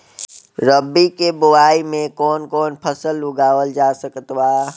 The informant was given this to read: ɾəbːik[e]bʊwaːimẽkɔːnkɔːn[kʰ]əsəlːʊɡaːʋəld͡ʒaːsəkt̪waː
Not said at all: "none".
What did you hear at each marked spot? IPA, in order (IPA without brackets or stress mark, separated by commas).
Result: e, pʰ